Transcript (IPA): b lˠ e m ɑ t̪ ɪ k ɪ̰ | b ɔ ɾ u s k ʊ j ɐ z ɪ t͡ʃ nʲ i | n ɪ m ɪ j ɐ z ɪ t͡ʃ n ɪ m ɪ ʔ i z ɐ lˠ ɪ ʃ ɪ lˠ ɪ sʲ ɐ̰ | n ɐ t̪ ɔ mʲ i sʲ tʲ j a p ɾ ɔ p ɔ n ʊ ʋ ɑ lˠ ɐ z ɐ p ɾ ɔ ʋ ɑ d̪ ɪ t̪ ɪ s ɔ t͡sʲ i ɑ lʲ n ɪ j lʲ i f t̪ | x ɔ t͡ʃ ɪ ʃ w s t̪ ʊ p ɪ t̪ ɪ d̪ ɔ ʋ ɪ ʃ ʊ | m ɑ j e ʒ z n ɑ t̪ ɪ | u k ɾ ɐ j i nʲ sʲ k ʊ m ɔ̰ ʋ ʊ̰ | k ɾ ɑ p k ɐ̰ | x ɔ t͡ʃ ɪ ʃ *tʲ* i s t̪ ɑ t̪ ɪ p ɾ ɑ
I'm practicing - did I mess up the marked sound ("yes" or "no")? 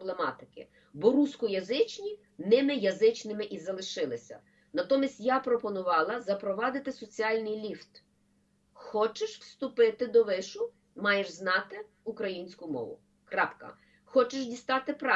yes